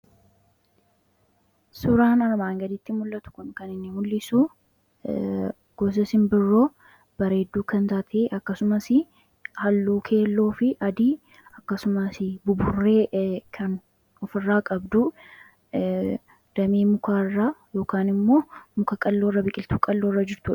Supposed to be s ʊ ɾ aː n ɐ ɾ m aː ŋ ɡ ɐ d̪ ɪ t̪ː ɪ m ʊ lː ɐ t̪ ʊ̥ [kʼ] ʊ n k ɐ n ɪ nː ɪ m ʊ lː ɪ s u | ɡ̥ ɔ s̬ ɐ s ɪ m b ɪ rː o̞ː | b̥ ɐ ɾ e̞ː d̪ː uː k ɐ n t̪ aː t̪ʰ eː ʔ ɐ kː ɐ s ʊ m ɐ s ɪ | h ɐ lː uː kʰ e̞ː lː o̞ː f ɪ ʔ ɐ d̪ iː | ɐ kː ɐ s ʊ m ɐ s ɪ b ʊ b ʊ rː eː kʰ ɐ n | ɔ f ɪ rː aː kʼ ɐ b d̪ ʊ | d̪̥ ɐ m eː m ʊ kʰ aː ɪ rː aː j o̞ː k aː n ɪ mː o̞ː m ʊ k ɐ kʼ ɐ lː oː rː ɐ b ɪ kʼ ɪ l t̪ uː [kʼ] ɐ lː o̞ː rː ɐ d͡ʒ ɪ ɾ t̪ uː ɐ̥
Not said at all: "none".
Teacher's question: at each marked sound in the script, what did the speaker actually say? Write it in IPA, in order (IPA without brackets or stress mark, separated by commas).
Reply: k, kʼ